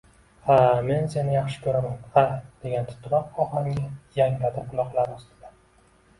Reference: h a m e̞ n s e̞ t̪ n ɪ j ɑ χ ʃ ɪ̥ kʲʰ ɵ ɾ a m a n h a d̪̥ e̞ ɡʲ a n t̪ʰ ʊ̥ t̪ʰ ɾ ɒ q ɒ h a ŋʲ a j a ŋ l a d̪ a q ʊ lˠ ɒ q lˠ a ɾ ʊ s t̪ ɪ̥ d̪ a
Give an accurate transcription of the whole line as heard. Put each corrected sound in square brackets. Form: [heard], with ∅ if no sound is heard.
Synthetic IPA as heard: h a m e̞ n s e̞ [∅] n ɪ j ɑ χ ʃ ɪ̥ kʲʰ ɵ ɾ a m a n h a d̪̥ e̞ ɡʲ a n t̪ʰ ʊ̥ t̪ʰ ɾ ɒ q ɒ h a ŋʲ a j a ŋ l a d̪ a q ʊ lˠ ɒ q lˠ a ɾ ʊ s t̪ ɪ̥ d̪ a